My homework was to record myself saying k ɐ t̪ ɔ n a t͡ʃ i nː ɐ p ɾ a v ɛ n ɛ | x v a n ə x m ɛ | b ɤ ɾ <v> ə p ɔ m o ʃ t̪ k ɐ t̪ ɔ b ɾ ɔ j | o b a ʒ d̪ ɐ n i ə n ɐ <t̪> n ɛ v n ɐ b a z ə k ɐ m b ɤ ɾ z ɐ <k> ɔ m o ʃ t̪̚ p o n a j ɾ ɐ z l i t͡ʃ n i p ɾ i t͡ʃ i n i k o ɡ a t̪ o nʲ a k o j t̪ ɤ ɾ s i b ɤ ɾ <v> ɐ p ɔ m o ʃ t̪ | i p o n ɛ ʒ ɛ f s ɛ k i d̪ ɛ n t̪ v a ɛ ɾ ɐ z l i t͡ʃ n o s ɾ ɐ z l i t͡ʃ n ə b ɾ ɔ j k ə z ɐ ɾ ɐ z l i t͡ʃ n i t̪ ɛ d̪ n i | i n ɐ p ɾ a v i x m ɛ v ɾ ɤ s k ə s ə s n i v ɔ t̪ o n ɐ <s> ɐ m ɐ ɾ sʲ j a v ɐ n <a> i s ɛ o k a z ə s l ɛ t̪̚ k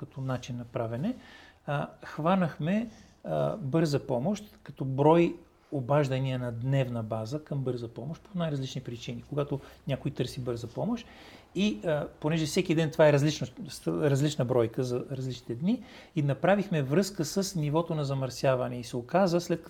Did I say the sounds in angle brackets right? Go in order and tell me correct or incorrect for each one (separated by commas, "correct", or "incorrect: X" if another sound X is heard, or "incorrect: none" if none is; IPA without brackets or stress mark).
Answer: incorrect: z, incorrect: d̪, incorrect: p, incorrect: z, incorrect: z, incorrect: ɛ